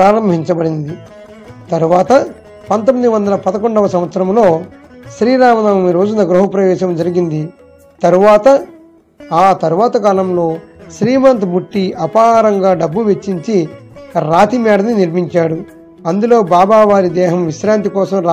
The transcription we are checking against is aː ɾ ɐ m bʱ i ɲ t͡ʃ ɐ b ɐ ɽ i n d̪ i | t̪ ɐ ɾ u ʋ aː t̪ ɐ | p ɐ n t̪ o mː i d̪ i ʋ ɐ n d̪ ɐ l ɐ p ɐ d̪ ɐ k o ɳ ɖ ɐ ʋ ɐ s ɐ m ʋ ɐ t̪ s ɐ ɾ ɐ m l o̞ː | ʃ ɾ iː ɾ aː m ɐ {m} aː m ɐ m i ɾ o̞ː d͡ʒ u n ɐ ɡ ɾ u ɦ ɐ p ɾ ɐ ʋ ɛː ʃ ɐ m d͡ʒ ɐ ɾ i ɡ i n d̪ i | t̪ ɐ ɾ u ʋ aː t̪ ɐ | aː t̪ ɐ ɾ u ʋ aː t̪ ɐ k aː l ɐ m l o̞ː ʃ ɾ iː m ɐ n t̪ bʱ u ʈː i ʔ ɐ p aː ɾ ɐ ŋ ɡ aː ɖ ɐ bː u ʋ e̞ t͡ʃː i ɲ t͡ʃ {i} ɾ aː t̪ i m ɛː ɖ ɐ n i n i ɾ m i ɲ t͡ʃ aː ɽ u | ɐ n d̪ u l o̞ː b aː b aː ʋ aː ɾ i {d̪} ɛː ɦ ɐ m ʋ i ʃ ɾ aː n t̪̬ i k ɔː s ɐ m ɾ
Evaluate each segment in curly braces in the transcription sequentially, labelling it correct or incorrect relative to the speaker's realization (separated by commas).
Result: incorrect, correct, correct